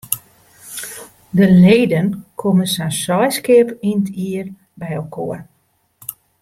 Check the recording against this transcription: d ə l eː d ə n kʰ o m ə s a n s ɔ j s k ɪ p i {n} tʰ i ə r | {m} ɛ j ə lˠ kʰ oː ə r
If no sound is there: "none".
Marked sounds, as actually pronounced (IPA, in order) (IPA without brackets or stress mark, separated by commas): n, b